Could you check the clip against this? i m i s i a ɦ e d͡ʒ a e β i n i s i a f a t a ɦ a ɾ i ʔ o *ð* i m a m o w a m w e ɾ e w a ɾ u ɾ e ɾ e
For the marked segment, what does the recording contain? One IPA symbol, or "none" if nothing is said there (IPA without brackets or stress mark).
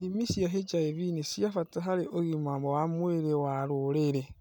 ɣ